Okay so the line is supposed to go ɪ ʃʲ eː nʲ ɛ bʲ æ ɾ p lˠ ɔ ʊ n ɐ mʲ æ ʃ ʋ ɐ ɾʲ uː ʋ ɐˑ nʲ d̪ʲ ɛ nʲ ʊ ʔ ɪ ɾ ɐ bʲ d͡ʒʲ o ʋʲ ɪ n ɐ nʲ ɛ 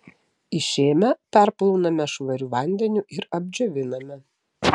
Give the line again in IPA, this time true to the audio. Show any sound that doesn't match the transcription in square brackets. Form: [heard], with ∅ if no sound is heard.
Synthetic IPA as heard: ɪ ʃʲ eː [mʲ] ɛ [pʲ] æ ɾ p lˠ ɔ ʊ n ɐ mʲ [ɛ] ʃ ʋ ɐ ɾʲ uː ʋ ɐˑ nʲ d̪ʲ ɛ nʲ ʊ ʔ ɪ ɾ ɐ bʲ d͡ʒʲ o ʋʲ ɪ n ɐ [mʲ] ɛ